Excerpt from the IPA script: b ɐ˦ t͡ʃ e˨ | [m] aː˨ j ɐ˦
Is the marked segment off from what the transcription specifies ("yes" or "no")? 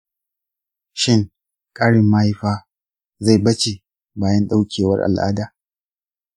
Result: yes